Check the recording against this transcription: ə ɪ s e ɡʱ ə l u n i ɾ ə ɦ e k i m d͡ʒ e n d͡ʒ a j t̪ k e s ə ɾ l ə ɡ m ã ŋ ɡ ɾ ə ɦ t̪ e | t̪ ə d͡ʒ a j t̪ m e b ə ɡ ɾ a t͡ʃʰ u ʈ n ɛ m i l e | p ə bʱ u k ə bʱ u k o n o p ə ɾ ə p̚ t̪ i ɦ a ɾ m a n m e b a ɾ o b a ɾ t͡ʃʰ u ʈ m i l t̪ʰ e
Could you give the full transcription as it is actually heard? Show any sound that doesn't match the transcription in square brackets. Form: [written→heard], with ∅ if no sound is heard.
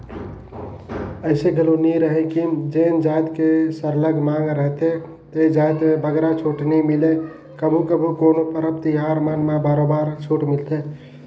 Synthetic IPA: ə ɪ s e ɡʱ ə l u n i ɾ ə ɦ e k i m d͡ʒ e n d͡ʒ a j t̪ k e s ə ɾ l ə ɡ m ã ŋ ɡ ɾ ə ɦ t̪ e | t̪ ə d͡ʒ a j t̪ m e b ə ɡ ɾ a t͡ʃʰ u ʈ n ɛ m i l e | [p→k] ə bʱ u k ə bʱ u k o n o p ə ɾ ə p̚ t̪ i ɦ a ɾ m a n m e b a ɾ o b a ɾ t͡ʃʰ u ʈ m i l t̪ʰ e